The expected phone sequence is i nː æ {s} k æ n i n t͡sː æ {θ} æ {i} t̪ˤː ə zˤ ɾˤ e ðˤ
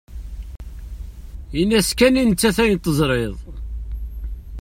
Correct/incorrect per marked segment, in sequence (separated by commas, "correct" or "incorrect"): correct, correct, incorrect